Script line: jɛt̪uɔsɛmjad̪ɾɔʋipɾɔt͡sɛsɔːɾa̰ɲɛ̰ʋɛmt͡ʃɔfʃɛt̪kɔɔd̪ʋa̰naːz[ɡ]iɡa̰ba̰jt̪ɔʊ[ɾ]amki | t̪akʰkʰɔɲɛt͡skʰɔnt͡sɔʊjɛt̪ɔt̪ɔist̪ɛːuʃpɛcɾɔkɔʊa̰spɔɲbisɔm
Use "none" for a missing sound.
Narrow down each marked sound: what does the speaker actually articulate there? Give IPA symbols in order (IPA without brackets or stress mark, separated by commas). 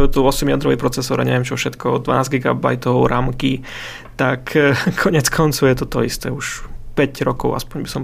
ɡ, ɾ